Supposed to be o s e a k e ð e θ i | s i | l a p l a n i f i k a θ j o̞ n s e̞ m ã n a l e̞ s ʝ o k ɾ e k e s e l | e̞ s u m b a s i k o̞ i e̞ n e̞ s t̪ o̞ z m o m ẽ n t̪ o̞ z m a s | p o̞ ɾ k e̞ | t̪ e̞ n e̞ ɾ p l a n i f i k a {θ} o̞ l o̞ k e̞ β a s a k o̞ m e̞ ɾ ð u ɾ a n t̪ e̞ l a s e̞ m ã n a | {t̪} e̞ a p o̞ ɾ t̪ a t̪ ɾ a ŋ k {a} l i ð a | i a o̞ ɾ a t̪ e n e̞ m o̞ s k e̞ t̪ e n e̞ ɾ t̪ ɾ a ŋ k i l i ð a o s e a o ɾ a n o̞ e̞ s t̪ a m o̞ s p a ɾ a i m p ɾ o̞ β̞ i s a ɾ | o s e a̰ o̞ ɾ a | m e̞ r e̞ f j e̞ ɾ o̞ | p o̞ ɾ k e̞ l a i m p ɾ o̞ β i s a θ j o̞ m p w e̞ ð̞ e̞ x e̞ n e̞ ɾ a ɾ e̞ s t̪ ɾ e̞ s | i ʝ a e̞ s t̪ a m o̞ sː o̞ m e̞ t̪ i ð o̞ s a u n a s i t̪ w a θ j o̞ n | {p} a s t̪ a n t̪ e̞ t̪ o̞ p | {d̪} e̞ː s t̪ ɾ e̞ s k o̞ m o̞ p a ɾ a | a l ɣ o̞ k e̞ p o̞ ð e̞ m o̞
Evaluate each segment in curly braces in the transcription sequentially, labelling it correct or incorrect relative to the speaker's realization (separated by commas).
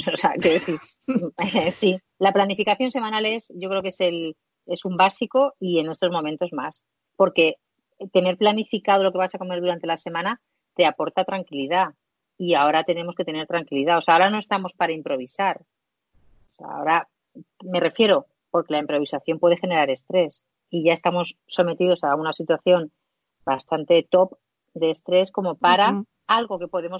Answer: incorrect, correct, incorrect, incorrect, correct